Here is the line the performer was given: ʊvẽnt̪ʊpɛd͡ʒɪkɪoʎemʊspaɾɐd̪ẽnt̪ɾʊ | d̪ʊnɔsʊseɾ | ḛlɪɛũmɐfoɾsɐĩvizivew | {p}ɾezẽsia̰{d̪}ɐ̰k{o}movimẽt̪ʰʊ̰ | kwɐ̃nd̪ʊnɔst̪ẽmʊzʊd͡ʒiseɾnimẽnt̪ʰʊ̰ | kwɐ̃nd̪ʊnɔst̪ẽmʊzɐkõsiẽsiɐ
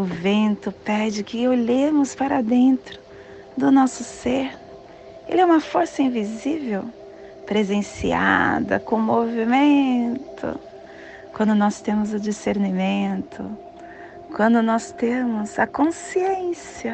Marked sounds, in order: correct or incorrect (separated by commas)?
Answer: correct, correct, incorrect